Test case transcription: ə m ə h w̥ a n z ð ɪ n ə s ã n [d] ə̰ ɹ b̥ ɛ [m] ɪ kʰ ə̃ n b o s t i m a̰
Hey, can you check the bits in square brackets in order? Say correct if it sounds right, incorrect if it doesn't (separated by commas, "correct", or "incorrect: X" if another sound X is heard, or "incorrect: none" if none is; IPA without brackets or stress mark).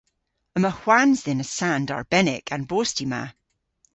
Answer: correct, incorrect: n